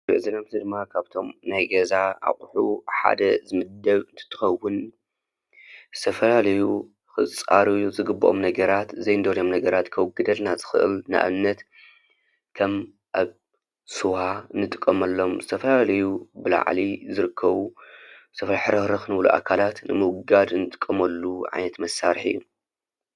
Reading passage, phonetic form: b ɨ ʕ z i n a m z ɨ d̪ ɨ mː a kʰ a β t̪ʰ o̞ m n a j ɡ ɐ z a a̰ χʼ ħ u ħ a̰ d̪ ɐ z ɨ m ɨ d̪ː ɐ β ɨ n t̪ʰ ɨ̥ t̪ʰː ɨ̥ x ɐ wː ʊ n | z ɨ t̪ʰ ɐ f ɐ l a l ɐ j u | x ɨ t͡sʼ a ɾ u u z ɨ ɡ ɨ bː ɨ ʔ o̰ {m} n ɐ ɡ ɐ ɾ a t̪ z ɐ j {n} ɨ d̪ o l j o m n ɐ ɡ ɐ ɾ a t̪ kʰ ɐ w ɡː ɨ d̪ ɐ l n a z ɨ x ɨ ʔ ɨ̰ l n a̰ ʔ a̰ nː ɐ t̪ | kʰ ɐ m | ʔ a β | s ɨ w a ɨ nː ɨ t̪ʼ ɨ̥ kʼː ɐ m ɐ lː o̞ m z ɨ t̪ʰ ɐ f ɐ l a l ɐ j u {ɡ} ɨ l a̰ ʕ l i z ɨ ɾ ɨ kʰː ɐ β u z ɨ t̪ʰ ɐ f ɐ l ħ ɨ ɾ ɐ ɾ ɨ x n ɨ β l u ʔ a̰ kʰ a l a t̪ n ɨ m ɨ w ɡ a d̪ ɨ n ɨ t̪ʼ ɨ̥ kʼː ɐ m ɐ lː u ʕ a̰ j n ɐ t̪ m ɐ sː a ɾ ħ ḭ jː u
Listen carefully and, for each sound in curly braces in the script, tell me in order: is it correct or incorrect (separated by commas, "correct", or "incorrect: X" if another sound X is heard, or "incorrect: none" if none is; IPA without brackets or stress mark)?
correct, correct, incorrect: b